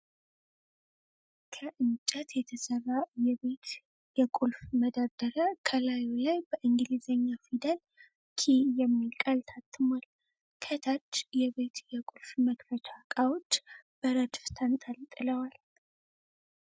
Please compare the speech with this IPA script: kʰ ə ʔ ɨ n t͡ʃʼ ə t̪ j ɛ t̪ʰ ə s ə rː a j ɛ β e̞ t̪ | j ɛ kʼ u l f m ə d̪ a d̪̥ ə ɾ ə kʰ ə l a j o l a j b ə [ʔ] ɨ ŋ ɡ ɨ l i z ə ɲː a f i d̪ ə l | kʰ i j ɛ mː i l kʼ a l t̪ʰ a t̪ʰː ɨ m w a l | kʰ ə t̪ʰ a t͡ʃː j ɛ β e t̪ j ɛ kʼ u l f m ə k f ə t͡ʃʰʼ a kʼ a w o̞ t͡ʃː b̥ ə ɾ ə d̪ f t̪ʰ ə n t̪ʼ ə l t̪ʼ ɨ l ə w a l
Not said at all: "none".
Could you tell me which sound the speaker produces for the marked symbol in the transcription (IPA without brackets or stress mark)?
ʔ